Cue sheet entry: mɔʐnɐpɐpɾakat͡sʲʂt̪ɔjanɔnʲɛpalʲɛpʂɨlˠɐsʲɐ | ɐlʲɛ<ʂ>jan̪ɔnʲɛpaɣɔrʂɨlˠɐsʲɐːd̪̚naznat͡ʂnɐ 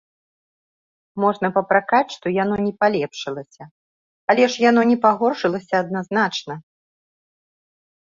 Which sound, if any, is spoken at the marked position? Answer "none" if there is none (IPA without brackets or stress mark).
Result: ʂ